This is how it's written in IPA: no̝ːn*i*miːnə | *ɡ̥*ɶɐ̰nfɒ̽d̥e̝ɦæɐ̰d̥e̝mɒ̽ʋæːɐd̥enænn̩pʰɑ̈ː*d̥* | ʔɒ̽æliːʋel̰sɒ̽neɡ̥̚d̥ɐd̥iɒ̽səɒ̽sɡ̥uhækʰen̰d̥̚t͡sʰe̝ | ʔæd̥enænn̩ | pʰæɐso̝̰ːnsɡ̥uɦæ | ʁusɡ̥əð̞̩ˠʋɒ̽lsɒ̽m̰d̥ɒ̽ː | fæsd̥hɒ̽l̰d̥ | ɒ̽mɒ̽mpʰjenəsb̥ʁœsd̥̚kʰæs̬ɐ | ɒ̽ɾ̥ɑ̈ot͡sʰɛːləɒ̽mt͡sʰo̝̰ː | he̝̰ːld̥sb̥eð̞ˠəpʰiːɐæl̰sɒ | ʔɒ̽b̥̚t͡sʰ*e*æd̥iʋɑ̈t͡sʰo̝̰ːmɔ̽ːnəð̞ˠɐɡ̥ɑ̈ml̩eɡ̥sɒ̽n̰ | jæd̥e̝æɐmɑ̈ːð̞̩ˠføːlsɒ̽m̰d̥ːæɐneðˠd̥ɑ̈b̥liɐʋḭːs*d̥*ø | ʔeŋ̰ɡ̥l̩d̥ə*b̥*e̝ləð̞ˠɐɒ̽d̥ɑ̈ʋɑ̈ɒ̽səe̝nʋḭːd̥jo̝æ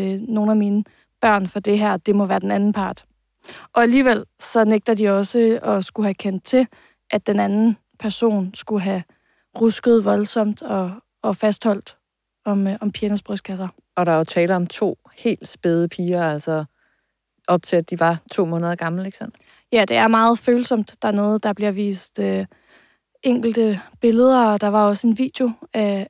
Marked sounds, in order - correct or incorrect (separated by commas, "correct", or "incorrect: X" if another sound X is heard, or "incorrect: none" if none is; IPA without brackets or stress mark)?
incorrect: æ, incorrect: b̥, correct, correct, correct, correct